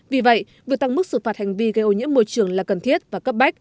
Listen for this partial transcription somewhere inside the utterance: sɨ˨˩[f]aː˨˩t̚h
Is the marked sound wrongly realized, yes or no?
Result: no